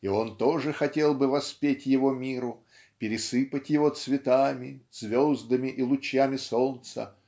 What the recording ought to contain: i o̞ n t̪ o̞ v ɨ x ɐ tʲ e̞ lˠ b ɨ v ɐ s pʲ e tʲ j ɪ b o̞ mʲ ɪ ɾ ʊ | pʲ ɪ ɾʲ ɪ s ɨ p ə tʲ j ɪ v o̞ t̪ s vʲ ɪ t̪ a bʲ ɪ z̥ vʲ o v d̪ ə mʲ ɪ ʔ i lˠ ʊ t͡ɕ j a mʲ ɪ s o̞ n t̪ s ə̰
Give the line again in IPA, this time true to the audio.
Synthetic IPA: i o̞ n t̪ o̞ ʐ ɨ x ɐ tʲ e̞ lˠ b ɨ v ɐ s pʲ e tʲ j ɪ v o̞ mʲ i ɾ ʊ | pʲ ɪ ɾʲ ɪ s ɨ p ə tʲ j ɪ v o̞ t̪ s vʲ ɪ t̪ a mʲ ɪ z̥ vʲ o z d̪ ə mʲ ɪ ʔ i lˠ ʊ t͡ɕ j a mʲ ɪ s o̞ n t̪ s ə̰